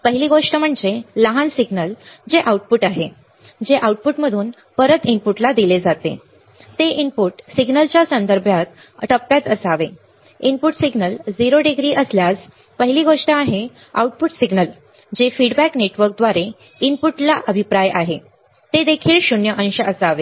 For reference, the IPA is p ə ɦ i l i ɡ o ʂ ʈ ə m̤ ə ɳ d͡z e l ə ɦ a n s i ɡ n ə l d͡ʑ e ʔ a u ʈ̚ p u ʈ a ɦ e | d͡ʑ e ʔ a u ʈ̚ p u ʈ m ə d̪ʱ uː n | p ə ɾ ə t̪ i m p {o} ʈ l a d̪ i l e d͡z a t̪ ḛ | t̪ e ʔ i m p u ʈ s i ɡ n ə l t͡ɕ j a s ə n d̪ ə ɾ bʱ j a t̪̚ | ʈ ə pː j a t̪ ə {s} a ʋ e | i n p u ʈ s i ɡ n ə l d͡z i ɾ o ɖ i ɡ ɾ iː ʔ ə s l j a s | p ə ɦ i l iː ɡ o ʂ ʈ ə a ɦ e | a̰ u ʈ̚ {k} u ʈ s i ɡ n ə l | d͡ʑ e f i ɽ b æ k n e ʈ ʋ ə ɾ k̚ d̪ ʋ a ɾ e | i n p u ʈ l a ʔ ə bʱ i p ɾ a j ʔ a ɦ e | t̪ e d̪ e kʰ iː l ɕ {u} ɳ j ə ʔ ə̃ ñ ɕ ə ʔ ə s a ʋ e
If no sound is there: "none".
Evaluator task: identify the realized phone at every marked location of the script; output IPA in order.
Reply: u, s, p, u

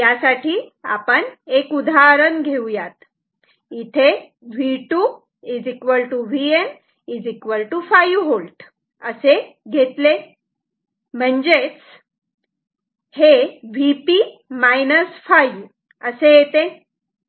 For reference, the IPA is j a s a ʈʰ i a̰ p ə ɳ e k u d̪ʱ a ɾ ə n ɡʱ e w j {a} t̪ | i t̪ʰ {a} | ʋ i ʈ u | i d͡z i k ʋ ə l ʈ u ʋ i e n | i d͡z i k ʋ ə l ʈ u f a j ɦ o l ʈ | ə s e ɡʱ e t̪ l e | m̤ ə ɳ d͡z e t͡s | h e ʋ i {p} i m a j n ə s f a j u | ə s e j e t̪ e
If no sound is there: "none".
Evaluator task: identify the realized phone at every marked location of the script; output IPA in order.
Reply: a, e, p

